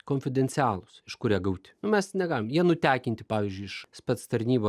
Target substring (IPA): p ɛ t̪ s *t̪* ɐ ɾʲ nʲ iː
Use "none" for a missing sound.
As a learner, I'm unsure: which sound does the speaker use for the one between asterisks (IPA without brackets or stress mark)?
t̪